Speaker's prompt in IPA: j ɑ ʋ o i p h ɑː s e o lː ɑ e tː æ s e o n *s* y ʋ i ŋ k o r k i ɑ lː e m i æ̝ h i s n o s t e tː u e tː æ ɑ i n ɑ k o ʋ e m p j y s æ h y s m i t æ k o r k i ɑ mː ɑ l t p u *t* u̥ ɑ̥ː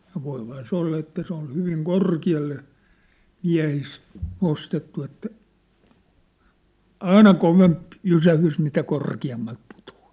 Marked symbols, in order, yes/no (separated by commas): no, yes